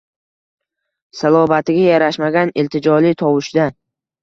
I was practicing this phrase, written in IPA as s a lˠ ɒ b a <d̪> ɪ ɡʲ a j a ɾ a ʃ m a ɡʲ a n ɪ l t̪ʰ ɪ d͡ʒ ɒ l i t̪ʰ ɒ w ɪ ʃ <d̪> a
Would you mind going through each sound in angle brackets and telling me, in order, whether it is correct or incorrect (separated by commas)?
incorrect, correct